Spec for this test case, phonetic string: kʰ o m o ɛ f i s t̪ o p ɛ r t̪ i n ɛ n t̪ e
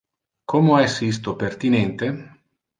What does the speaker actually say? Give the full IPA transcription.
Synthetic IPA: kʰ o m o ɛ s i s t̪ o p e r t̪ i n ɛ n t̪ e